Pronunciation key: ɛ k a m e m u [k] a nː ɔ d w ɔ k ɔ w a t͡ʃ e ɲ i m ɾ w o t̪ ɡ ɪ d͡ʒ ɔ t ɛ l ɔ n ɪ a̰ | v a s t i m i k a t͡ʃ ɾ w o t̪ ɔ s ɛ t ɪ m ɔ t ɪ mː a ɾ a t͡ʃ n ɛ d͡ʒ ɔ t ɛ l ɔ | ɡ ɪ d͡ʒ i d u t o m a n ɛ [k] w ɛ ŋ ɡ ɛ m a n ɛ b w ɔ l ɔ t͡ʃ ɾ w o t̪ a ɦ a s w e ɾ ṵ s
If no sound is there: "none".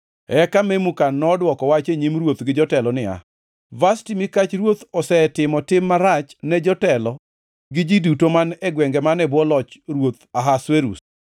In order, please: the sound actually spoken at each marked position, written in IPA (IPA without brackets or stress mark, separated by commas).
k, ɡ